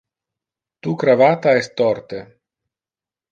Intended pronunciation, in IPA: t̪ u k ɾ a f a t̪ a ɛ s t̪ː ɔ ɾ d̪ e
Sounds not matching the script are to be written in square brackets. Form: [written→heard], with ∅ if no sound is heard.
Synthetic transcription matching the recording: t̪ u k ɾ a [f→v] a t̪ a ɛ s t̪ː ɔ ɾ [d̪→t̪] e